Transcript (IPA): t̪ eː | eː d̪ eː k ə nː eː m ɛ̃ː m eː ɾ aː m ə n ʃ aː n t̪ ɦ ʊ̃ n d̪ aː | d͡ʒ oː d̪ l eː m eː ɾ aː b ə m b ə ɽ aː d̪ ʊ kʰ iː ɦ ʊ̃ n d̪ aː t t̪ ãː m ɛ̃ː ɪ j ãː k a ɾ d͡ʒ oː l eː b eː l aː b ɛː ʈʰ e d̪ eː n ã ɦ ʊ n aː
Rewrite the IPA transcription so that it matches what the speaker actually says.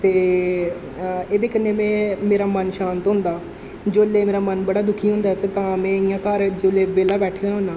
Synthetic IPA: t̪ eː | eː d̪ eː k ə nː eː m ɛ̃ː m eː ɾ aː m ə n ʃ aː n t̪ ɦ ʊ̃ n d̪ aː | d͡ʒ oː l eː m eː ɾ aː m ə n b ə ɽ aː d̪ ʊ kʰ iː ɦ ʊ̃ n d̪ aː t t̪ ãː m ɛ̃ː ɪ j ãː k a ɾ d͡ʒ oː l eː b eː l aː b ɛː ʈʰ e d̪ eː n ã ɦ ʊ n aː